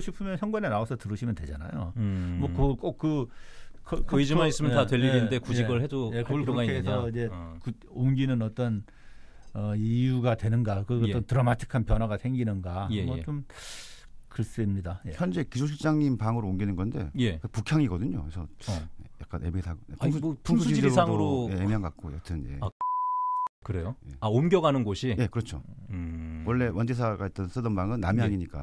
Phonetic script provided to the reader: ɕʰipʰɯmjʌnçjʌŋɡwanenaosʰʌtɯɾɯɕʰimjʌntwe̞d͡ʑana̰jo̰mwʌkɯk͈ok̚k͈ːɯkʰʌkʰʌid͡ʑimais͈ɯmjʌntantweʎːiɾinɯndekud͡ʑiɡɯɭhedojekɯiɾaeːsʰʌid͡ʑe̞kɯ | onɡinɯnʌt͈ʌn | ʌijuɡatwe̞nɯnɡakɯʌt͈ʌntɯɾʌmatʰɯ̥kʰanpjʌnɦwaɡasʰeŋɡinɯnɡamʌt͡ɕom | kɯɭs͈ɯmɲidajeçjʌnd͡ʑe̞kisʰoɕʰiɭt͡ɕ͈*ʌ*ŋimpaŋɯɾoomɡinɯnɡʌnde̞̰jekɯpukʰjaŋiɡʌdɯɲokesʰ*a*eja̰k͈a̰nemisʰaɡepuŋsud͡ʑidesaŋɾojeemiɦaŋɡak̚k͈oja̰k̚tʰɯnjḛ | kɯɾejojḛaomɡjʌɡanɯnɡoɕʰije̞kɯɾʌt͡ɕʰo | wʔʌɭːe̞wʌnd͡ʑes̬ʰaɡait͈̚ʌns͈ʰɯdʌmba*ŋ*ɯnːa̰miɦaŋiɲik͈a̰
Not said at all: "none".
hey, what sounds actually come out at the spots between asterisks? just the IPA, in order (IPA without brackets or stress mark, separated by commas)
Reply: a, ʌ, ŋ